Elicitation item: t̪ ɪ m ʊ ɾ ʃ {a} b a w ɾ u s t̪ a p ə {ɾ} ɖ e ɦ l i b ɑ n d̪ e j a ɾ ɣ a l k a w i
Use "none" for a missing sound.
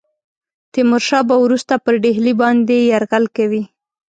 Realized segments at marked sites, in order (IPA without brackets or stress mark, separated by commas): ɑ, ɾ